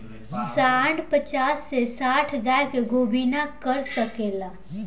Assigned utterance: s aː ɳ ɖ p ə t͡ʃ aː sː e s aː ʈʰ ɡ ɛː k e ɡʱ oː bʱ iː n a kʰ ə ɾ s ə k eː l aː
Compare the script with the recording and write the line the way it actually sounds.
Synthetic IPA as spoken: s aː ɳ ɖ p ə t͡ʃ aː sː e s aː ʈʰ ɡ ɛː k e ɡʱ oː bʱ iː n a k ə ɾ s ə k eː l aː